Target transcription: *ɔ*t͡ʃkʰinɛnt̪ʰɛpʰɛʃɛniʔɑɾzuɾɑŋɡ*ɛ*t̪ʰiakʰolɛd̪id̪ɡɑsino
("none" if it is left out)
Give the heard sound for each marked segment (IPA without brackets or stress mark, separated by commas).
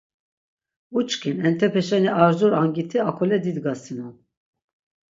u, i